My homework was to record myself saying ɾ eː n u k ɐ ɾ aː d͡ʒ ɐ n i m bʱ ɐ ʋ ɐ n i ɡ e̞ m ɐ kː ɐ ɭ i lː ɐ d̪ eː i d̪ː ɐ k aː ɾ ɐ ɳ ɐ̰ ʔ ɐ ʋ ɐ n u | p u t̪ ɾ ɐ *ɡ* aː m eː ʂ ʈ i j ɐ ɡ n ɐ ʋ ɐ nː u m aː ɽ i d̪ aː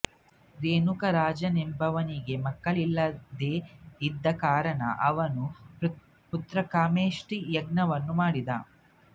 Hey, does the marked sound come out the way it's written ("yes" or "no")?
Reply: no